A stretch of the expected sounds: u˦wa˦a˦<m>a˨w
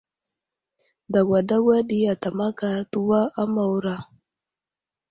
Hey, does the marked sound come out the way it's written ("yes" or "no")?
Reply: yes